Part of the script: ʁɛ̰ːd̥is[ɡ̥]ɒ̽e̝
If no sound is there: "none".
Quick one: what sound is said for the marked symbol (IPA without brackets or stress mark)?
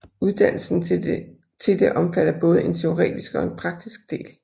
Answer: ɡ̥